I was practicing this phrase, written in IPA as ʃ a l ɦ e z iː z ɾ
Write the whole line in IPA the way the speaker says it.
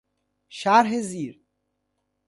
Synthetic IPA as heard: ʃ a ɾ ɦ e z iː ɾ